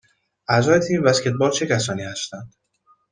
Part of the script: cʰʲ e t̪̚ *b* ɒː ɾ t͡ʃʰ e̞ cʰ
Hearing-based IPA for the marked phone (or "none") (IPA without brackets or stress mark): b